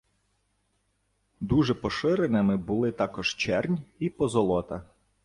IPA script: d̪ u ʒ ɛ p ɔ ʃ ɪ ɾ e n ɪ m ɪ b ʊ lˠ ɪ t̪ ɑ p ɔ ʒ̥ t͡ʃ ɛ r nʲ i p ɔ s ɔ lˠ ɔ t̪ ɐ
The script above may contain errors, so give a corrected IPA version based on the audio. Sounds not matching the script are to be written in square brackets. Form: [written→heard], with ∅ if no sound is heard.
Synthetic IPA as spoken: d̪ u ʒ ɛ p ɔ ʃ ɪ ɾ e n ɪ m ɪ b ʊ lˠ ɪ t̪ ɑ [p→k] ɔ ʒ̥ t͡ʃ ɛ r nʲ i p ɔ [s→z] ɔ lˠ ɔ t̪ ɐ